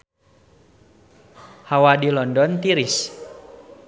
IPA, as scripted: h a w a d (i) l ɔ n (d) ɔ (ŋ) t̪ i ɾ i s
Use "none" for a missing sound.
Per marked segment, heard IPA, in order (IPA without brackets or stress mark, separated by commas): i, d, n